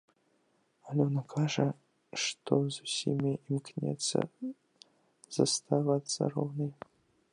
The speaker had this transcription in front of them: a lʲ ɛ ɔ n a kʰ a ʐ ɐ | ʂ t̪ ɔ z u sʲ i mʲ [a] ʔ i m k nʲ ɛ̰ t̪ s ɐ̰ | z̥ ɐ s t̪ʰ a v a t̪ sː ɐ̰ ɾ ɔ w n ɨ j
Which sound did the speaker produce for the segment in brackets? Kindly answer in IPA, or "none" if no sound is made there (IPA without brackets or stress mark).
i